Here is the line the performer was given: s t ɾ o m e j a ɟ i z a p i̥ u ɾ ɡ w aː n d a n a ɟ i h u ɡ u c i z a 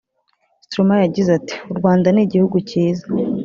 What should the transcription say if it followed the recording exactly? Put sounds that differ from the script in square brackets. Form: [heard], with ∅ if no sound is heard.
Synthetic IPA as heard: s t ɾ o m [a] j a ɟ i z a [t] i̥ u ɾ ɡ w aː n d a n [i] ɟ i h u ɡ u c [iː] z a